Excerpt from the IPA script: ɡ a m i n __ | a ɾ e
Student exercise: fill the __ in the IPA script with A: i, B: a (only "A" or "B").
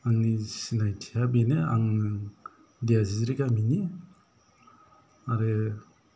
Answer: A